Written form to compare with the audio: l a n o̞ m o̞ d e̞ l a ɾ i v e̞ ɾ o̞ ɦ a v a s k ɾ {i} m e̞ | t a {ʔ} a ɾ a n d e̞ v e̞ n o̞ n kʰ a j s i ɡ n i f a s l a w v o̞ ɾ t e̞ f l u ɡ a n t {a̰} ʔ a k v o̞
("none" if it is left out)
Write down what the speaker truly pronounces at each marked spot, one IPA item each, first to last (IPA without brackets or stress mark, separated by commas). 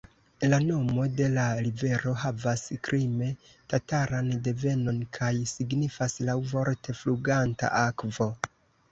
i, t, a̰